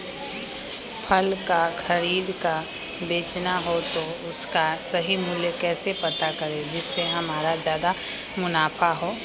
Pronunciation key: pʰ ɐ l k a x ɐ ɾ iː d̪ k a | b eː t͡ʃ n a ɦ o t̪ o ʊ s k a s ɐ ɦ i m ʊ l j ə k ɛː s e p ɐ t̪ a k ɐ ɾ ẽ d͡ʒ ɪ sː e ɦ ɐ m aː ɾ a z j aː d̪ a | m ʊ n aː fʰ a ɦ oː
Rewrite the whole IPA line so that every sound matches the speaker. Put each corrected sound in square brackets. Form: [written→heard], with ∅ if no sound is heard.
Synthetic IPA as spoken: pʰ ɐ l k a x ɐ ɾ iː d̪ k a | b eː t͡ʃ n a ɦ o t̪ o ʊ s k a s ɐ ɦ i m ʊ l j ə k ɛː s e p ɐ t̪ a k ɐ ɾ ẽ d͡ʒ ɪ sː e ɦ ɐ m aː ɾ a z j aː d̪ a | m ʊ n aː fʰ a ɦ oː